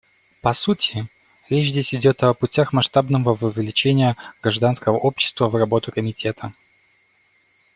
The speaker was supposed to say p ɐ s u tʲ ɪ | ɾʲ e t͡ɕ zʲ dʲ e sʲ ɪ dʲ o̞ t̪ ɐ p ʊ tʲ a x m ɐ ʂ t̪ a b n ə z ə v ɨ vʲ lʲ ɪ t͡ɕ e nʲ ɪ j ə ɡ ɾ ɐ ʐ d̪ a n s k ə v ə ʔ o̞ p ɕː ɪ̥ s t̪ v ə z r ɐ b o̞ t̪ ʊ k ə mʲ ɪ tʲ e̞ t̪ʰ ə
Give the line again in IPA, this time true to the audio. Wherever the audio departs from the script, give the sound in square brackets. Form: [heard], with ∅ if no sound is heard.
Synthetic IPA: p ɐ s u tʲ ɪ | ɾʲ e t͡ɕ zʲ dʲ e sʲ ɪ dʲ o̞ t̪ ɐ p ʊ tʲ a x m ɐ ʂ t̪ a b n ə [v] ə v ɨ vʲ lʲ ɪ t͡ɕ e nʲ ɪ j ə ɡ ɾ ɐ ʐ d̪ a n s k ə v ə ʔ o̞ p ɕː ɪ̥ s t̪ v ə [v] r ɐ b o̞ t̪ ʊ k ə mʲ ɪ tʲ e̞ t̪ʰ ə

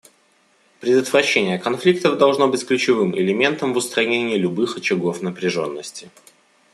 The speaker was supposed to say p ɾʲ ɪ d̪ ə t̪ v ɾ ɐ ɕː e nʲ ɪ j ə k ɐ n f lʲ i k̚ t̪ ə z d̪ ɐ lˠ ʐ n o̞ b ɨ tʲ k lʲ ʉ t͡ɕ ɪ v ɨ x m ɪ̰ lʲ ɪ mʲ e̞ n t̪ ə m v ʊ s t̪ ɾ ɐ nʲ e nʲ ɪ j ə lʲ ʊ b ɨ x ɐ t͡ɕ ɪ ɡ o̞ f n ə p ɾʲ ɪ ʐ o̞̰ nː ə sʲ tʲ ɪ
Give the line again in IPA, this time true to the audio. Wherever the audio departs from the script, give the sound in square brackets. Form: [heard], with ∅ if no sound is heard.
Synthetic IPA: p ɾʲ ɪ d̪ ə t̪ v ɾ ɐ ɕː e nʲ ɪ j ə k ɐ n f lʲ i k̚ t̪ ə [v] d̪ ɐ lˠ ʐ n o̞ b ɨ tʲ k lʲ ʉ t͡ɕ ɪ v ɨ [∅] m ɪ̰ lʲ ɪ mʲ e̞ n t̪ ə m v ʊ s t̪ ɾ ɐ nʲ e nʲ ɪ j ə lʲ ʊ b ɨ x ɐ t͡ɕ ɪ ɡ o̞ f n ə p ɾʲ ɪ ʐ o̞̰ nː ə sʲ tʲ ɪ

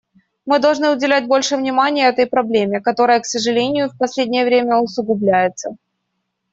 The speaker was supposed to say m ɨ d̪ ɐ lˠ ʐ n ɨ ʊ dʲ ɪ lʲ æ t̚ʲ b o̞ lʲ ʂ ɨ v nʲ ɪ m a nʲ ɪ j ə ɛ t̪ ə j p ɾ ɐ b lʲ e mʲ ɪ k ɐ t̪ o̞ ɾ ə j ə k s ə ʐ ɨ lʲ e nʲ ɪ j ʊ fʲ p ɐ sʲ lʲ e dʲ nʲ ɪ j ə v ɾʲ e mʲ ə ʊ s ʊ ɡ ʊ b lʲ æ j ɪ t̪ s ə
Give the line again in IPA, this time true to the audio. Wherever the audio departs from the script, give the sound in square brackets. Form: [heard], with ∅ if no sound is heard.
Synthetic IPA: m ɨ d̪ ɐ lˠ ʐ n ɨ ʊ dʲ ɪ lʲ æ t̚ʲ b o̞ lʲ ʂ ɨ v nʲ ɪ m a nʲ ɪ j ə ɛ t̪ ə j p ɾ ɐ b lʲ e mʲ ɪ k ɐ t̪ o̞ ɾ ə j ə k s ə ʐ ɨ lʲ e nʲ ɪ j ʊ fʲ p ɐ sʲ lʲ e dʲ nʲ ɪ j ə v ɾʲ e mʲ ə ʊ s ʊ ɡ ʊ b lʲ æ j ɪ t̪ s ə

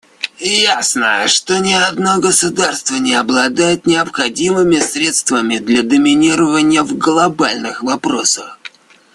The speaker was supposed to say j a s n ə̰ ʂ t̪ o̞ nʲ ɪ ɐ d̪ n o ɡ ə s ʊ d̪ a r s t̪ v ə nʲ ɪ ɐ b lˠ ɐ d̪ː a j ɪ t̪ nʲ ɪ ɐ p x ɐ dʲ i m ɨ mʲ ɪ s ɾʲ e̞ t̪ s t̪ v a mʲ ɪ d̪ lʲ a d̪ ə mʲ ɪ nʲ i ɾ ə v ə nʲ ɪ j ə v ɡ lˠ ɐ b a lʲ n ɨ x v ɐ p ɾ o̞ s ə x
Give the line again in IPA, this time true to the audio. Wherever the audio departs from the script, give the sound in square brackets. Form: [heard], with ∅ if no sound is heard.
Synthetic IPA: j a s n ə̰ ʂ t̪ o̞ nʲ ɪ ɐ d̪ n o ɡ ə s ʊ d̪ a r s t̪ v ə nʲ ɪ ɐ b lˠ ɐ [d̪] a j ɪ t̪ nʲ ɪ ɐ p x ɐ dʲ i m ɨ mʲ ɪ s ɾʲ e̞ t̪ s t̪ v [ə] mʲ ɪ d̪ lʲ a d̪ ə mʲ ɪ nʲ i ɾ ə v ə nʲ ɪ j ə v ɡ lˠ ɐ b a lʲ n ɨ x v ɐ p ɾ o̞ s ə x

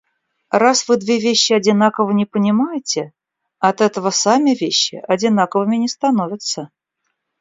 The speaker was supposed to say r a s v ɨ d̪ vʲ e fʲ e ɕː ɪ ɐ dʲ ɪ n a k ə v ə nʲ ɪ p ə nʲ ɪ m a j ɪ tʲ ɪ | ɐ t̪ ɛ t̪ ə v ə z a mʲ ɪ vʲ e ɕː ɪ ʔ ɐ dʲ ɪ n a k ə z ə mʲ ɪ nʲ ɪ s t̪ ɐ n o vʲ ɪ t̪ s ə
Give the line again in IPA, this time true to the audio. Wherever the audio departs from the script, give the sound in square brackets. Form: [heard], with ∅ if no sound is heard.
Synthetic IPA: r a s v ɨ d̪ vʲ e [vʲ] e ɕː ɪ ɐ dʲ ɪ n a k ə v ə nʲ ɪ p ə nʲ ɪ m a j ɪ tʲ ɪ | ɐ t̪ ɛ t̪ ə v ə [s] a mʲ ɪ vʲ e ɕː ɪ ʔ ɐ dʲ ɪ n a k ə [v] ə mʲ ɪ nʲ ɪ s t̪ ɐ n o vʲ ɪ t̪ s ə

